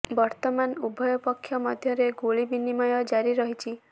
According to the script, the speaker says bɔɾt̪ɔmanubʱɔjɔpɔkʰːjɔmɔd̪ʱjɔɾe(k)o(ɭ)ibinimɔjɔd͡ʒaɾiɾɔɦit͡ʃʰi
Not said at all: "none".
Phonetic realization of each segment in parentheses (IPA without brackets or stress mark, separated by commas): ɡ, ɭ